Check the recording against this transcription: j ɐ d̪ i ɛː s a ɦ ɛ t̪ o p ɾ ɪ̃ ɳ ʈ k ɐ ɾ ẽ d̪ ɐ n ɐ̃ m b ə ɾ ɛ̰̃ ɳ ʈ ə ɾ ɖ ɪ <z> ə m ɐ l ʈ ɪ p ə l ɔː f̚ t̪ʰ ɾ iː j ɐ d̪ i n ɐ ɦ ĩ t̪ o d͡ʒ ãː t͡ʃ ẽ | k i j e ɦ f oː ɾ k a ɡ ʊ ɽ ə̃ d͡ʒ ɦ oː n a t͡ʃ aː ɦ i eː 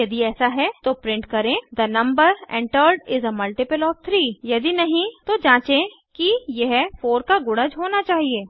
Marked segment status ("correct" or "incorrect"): correct